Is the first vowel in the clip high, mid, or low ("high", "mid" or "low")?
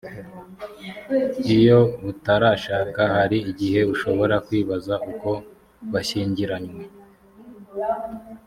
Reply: high